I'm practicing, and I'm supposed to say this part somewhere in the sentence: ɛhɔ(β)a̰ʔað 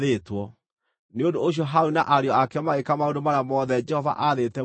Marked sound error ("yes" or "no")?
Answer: yes